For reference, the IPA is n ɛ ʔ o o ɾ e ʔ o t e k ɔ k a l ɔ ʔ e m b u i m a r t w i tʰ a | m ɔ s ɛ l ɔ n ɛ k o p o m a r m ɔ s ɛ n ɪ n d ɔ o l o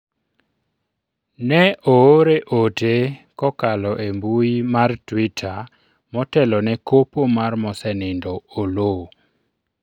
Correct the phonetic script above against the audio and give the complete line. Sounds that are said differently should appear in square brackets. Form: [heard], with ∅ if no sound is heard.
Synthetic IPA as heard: n ɛ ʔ o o ɾ e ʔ o t e k ɔ k a l ɔ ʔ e m b u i m a r t w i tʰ a | m ɔ [t] ɛ l ɔ n ɛ k o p o m a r m ɔ s ɛ n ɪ n d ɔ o l o

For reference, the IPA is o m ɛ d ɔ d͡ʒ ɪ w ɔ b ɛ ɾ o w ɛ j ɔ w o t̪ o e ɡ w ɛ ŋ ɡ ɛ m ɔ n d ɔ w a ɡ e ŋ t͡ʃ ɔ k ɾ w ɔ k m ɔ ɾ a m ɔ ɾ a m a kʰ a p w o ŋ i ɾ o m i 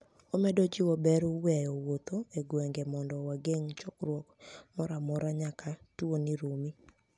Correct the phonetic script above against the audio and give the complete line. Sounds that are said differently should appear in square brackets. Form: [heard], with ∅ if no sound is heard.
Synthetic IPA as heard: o m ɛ d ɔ d͡ʒ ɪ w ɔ b ɛ ɾ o w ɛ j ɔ w o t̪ o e ɡ w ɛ ŋ ɡ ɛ m ɔ n d ɔ w a ɡ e ŋ t͡ʃ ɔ k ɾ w ɔ k m ɔ ɾ a m ɔ ɾ a [ɲ] a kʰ a [t] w o [n] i ɾ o m i

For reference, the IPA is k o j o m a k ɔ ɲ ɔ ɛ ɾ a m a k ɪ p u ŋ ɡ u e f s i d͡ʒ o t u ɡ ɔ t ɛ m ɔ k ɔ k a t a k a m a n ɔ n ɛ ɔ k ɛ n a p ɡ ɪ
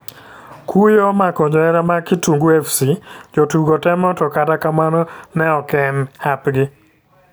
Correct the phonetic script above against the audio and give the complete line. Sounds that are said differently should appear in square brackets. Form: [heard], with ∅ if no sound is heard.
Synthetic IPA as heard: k [u] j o m a k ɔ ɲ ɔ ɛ ɾ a m a k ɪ [t] u ŋ ɡ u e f s i d͡ʒ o t u ɡ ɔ t ɛ m ɔ [t] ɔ k a t a k a m a n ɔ n ɛ ɔ k ɛ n a p ɡ ɪ

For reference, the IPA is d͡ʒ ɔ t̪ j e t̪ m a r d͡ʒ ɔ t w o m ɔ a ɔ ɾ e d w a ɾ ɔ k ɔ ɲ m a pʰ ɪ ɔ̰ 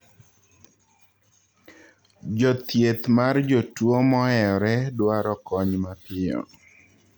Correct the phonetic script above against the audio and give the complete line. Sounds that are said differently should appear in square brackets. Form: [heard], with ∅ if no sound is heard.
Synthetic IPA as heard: d͡ʒ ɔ t̪ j e t̪ m a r d͡ʒ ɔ t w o m ɔ [ɛ] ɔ ɾ [ɛ] d w a ɾ ɔ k ɔ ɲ m a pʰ ɪ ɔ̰

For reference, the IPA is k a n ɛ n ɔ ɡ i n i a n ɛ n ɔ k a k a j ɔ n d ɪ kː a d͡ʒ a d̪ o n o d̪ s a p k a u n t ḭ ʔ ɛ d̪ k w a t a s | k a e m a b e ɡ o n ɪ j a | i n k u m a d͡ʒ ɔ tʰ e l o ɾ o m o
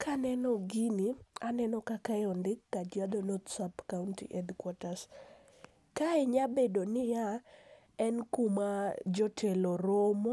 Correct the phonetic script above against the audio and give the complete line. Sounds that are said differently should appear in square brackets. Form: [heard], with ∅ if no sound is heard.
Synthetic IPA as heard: k a n ɛ n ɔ ɡ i n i a n ɛ n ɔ k a k a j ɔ n d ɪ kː a d͡ʒ a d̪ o n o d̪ s a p k a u n t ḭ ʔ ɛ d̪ k w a t a s | k a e [ɲ] a b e [d] o n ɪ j a | [ɛ] n k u m a d͡ʒ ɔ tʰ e l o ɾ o m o

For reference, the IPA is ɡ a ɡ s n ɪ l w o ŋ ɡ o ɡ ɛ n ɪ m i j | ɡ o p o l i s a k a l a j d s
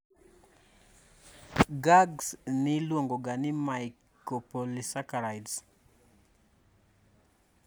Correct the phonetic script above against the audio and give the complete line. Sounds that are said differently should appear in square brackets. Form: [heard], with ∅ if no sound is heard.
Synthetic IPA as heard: ɡ a ɡ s n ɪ l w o ŋ ɡ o ɡ [a] n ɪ m [a] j | [k] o p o l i s a k a [ɾ] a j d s

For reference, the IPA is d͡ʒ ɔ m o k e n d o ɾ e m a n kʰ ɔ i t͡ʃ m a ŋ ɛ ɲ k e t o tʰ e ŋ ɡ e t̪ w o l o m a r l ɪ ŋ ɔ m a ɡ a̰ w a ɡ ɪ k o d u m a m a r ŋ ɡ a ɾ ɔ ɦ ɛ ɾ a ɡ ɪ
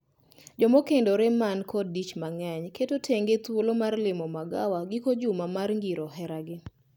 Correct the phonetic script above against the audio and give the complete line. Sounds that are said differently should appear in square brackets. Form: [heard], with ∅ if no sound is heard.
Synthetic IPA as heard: d͡ʒ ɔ m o k e n d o ɾ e m a n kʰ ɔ i t͡ʃ m a ŋ ɛ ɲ k e t o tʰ e ŋ ɡ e t̪ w o l o m a r l ɪ [m] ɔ m a ɡ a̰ w a ɡ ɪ k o [d͡ʒ] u m a m a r ŋ ɡ [i] ɾ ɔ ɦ ɛ ɾ a ɡ ɪ

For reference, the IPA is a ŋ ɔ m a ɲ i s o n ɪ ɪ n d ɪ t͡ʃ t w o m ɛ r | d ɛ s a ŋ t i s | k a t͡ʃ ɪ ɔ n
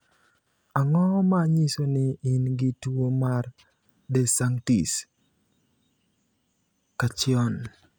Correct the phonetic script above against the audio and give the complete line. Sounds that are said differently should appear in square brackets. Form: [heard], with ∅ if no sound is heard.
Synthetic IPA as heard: a ŋ ɔ m a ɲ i s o n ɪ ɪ n [ɡ] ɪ [∅] t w o m [a] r | d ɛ s a ŋ t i s | k a t͡ʃ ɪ ɔ n

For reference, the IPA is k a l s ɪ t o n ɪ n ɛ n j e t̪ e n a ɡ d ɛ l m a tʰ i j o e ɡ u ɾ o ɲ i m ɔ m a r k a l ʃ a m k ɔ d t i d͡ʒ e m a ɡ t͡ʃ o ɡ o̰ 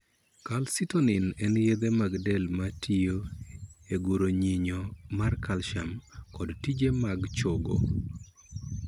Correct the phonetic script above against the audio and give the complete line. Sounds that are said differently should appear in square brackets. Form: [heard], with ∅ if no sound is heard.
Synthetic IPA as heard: k a l s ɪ t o n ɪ n ɛ n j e [d̪] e [m] a ɡ d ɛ l m a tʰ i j o e ɡ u ɾ o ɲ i [ɲ] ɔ m a r k a l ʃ a m k ɔ d t i d͡ʒ e m a ɡ t͡ʃ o ɡ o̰

